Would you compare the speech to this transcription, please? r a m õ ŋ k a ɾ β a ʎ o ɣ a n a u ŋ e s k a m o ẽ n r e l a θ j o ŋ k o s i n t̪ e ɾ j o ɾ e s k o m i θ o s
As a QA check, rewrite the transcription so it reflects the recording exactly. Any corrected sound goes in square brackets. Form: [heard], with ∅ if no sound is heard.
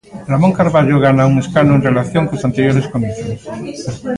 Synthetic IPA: r a m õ ŋ k a ɾ β a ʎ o ɣ a n a u ŋ e s k a [n] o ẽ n r e l a θ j o ŋ k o s [a] n t̪ e ɾ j o ɾ e s k o m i θ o s